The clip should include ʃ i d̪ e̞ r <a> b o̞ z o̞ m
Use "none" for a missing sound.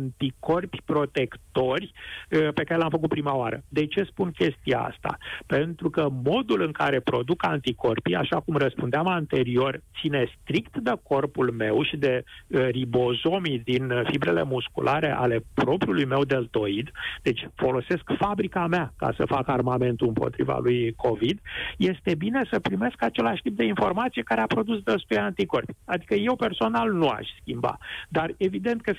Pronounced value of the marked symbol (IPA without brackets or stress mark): i